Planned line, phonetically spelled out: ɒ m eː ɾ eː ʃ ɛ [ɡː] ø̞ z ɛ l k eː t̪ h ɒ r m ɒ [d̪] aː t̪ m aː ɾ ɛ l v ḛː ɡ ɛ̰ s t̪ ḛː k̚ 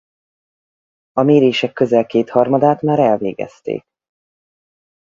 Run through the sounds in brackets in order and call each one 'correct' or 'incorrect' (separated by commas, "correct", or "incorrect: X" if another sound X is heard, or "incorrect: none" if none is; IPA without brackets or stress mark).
incorrect: kː, correct